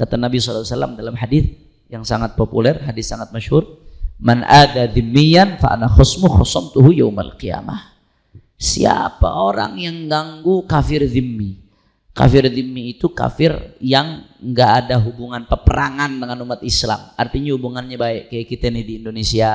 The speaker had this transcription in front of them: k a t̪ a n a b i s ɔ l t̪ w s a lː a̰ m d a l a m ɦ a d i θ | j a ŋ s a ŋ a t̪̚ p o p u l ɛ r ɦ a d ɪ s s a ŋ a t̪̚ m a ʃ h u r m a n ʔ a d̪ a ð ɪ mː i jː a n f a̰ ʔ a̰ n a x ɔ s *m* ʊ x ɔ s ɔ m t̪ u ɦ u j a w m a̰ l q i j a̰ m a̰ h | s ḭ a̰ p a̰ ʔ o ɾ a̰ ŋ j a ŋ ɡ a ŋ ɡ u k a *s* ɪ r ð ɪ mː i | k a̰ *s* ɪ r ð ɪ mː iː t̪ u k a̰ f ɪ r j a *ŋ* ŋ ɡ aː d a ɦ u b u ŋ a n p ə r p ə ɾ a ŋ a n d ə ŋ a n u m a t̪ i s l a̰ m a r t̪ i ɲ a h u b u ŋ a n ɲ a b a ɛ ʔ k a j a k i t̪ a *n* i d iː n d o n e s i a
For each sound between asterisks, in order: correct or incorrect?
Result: correct, incorrect, incorrect, correct, correct

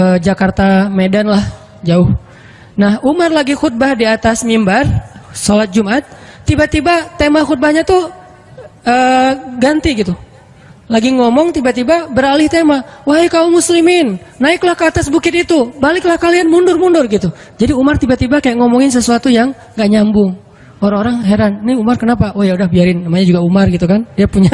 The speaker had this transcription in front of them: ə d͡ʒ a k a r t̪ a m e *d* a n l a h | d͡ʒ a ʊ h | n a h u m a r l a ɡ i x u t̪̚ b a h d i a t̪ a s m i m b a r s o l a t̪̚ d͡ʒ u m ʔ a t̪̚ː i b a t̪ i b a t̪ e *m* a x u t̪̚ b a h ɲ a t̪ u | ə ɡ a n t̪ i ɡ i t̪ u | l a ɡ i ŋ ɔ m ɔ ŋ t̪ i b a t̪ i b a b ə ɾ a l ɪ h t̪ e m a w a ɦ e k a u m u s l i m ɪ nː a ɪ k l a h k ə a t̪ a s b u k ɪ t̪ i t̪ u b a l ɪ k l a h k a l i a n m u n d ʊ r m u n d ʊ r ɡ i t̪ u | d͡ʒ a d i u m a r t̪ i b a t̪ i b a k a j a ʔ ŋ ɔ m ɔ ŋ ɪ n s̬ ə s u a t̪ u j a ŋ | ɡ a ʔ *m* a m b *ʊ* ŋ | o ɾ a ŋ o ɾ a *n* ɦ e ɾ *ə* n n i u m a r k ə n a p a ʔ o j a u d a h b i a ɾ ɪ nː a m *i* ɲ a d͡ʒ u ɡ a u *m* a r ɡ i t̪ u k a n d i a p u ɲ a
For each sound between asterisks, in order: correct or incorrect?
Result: correct, correct, incorrect, correct, incorrect, incorrect, incorrect, correct

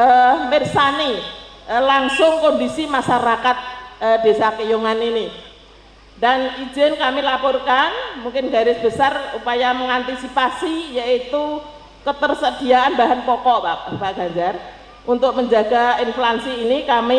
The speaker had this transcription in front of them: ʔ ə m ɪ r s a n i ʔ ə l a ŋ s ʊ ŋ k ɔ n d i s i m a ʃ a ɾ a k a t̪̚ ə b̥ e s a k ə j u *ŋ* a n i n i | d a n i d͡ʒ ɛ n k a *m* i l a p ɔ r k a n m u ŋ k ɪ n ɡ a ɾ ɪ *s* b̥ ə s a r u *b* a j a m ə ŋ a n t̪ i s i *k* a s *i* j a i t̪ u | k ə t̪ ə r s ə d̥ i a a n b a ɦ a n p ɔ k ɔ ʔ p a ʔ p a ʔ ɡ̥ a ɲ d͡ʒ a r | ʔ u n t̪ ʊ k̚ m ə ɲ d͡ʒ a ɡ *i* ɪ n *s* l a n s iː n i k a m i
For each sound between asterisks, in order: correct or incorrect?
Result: correct, correct, correct, incorrect, incorrect, correct, incorrect, incorrect

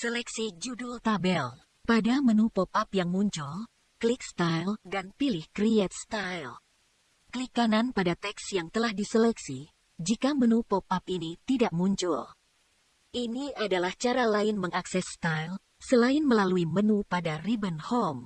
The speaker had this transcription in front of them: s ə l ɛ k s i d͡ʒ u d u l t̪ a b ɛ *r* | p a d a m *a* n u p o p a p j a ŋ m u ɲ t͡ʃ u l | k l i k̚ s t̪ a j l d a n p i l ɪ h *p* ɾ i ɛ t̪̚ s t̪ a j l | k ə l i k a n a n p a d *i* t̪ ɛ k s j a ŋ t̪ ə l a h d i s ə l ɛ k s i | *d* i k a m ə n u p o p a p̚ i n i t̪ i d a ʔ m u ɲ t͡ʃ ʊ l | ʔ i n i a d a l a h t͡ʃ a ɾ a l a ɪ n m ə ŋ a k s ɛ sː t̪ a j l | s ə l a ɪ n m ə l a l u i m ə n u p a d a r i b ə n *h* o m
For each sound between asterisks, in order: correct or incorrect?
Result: incorrect, incorrect, incorrect, incorrect, incorrect, correct

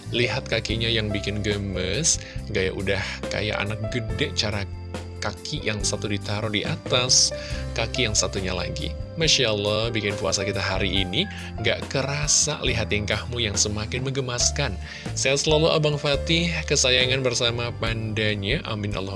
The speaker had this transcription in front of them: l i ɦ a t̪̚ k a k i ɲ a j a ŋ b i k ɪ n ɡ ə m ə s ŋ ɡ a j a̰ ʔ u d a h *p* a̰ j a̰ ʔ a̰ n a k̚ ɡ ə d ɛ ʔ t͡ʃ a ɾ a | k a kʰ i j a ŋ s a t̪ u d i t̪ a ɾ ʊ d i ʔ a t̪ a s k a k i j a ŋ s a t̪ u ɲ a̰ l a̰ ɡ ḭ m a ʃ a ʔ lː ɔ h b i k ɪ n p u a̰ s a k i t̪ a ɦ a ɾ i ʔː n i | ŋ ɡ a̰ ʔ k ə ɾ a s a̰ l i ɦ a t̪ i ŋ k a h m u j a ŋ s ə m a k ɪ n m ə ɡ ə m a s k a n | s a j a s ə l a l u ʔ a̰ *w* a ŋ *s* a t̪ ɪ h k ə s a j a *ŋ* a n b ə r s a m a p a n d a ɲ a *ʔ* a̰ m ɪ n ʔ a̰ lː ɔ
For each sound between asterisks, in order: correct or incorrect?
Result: incorrect, incorrect, incorrect, correct, correct

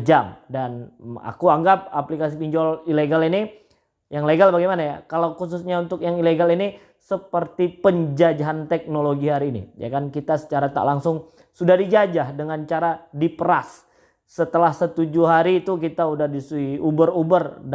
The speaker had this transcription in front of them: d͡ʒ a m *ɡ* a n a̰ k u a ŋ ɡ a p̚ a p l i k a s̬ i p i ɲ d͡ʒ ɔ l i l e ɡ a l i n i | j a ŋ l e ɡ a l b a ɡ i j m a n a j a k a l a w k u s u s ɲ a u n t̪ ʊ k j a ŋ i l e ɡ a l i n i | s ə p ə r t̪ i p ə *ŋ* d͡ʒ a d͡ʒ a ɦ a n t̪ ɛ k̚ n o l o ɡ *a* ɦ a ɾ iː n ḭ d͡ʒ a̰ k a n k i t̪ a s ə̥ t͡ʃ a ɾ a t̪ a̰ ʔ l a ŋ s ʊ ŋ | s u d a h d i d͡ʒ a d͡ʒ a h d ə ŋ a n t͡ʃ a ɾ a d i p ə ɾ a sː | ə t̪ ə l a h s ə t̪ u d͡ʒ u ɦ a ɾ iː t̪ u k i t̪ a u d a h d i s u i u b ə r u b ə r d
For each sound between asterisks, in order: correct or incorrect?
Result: incorrect, incorrect, incorrect

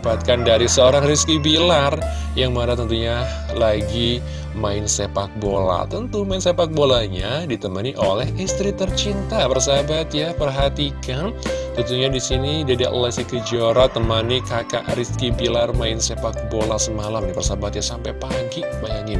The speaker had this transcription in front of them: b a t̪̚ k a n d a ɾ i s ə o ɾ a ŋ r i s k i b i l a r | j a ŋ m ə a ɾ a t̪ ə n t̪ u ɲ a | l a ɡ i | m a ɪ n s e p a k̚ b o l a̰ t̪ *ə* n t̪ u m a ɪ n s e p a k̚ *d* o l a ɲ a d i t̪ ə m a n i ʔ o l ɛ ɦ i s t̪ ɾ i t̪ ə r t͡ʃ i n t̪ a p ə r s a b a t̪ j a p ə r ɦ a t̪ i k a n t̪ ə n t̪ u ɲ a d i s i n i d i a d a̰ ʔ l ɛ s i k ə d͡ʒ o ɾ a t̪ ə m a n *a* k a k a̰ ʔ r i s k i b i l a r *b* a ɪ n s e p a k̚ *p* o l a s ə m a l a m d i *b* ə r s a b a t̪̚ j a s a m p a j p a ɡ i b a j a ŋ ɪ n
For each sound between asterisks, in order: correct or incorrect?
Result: correct, incorrect, incorrect, incorrect, incorrect, incorrect

